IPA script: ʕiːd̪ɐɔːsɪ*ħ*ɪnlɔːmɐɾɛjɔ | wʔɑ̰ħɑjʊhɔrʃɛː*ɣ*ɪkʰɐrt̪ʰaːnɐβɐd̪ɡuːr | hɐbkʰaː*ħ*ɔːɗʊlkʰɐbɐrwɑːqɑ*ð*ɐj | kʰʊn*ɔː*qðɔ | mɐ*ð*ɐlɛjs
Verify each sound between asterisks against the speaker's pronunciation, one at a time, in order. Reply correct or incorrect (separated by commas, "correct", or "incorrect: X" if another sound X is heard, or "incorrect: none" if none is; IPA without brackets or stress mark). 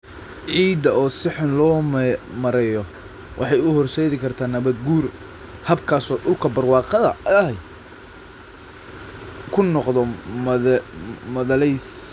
correct, incorrect: ð, incorrect: s, correct, incorrect: ɔ, correct